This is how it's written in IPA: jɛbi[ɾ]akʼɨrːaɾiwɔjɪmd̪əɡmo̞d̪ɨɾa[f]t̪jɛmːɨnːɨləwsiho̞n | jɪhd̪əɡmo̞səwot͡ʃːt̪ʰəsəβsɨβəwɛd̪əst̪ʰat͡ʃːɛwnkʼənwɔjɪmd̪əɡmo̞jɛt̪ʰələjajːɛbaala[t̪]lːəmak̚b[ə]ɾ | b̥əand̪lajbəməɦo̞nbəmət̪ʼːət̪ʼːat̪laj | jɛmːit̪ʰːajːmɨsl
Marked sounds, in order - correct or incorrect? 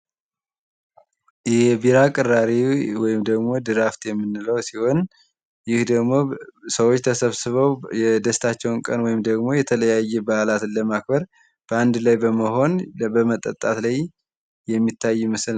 correct, correct, correct, correct

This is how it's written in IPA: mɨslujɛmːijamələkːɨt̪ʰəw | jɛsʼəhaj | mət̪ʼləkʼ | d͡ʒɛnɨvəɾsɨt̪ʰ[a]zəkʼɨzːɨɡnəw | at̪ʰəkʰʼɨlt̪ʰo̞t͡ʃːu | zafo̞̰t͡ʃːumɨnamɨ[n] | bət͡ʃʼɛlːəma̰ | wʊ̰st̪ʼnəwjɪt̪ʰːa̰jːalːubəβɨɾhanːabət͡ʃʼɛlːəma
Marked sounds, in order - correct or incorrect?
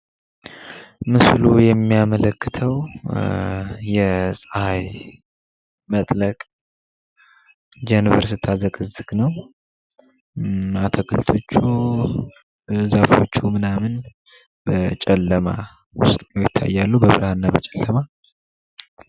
correct, correct

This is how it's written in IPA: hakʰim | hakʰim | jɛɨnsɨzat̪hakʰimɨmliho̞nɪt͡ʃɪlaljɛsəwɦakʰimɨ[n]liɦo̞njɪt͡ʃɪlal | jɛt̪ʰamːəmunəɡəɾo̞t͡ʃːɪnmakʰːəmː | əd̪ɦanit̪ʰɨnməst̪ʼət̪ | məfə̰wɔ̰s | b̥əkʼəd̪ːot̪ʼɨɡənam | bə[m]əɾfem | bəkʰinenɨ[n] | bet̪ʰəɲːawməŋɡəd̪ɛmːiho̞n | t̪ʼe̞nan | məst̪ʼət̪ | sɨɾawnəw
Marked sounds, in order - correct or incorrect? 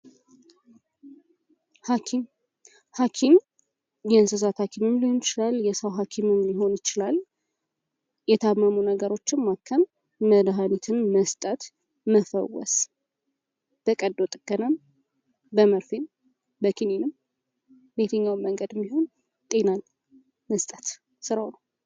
incorrect, correct, incorrect

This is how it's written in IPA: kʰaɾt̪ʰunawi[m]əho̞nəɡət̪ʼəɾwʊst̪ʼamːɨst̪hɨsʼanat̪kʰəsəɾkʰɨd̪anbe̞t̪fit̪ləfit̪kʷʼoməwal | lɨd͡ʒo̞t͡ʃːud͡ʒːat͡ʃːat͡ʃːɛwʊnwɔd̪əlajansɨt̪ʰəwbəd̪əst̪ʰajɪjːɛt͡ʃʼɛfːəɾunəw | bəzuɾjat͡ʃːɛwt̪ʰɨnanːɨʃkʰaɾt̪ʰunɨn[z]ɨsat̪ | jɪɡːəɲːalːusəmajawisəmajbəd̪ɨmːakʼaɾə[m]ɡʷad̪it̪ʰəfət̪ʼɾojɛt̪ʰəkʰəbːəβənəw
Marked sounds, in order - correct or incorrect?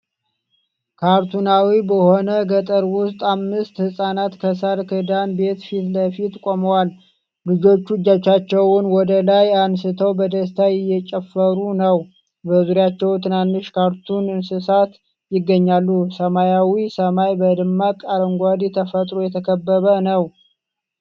incorrect, incorrect, incorrect

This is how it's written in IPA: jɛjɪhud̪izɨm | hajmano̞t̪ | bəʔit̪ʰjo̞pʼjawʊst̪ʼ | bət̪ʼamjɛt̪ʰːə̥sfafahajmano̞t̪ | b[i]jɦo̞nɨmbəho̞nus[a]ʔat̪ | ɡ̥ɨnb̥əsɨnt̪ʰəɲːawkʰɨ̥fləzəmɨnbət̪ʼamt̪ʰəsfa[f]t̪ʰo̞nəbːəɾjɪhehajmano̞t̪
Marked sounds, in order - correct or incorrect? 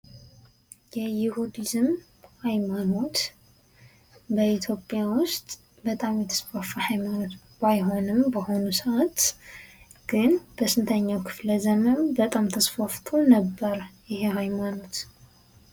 incorrect, incorrect, correct

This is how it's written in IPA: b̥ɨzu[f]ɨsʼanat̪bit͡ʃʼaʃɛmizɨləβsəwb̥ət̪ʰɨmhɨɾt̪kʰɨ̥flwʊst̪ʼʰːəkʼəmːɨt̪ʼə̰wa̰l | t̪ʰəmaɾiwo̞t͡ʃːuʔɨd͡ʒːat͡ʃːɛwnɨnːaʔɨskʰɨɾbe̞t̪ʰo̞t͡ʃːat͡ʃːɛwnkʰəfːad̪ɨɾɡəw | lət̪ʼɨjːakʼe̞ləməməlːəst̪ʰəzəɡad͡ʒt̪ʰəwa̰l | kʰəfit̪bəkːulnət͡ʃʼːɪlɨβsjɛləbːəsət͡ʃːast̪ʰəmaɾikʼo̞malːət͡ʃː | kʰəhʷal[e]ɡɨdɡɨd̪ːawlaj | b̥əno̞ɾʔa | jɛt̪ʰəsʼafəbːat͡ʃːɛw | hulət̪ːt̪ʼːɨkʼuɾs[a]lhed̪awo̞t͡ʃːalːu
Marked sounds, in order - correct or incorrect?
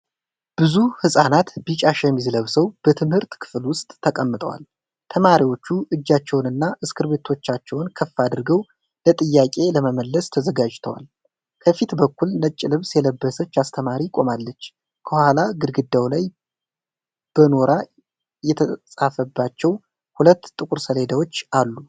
incorrect, incorrect, incorrect

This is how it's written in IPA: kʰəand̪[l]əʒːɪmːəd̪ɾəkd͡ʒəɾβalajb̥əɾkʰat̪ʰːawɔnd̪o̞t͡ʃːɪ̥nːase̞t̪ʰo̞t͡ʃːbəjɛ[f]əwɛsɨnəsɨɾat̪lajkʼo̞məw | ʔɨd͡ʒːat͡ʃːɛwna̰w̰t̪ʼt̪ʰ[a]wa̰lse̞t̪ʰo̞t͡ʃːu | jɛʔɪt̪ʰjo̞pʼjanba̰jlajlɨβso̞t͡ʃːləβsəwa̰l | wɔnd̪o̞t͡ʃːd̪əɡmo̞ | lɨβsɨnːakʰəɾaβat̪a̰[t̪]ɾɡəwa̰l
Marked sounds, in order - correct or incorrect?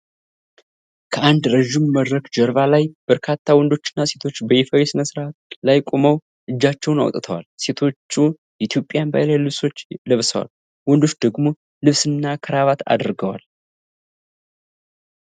incorrect, correct, incorrect, incorrect

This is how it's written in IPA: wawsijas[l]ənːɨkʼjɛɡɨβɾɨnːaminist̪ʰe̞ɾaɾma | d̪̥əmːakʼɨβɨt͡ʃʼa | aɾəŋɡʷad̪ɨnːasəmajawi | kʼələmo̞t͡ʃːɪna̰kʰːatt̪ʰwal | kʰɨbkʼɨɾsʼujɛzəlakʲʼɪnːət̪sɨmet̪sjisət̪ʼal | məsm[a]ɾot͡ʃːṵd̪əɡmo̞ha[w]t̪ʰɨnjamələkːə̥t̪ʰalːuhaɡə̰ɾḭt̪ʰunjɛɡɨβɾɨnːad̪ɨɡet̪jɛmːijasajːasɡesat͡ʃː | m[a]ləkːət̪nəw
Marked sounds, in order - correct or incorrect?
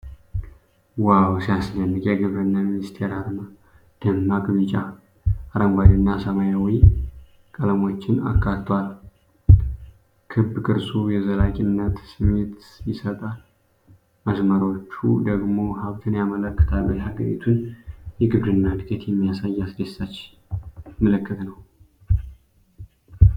correct, incorrect, incorrect, incorrect

